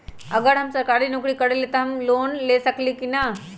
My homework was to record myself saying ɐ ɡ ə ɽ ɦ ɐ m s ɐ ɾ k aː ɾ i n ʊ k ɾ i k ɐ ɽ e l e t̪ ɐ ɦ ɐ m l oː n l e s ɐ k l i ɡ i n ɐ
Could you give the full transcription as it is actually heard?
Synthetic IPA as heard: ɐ ɡ ə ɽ ɦ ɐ m s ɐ ɾ k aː ɾ i n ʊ k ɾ i k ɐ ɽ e l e t̪ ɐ ɦ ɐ m l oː n l e s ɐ k l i k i n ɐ